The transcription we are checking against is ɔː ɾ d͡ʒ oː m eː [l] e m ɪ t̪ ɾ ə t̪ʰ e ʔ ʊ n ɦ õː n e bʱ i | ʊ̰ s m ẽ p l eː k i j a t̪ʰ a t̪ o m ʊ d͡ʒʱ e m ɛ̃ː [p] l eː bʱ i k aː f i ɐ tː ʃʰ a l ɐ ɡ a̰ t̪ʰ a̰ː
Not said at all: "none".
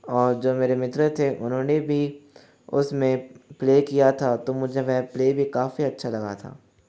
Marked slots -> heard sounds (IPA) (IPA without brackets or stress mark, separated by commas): ɾ, p